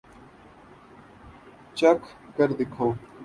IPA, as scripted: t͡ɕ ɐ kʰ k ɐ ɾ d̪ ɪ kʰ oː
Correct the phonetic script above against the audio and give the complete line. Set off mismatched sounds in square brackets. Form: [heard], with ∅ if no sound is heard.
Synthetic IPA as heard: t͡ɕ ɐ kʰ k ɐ ɾ d̪ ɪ kʰ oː